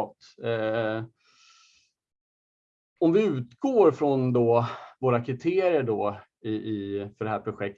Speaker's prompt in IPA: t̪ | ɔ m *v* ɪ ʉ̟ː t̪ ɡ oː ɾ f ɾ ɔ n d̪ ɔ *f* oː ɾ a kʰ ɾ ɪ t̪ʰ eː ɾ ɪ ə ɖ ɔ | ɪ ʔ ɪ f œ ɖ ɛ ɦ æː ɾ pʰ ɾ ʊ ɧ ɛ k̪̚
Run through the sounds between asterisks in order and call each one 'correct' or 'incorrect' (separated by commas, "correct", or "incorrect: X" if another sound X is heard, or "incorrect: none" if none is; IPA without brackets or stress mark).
correct, incorrect: v